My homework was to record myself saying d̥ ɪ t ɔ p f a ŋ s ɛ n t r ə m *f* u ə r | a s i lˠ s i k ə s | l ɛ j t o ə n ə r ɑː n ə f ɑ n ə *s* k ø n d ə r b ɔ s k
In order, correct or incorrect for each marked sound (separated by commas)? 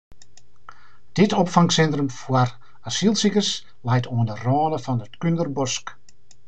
correct, incorrect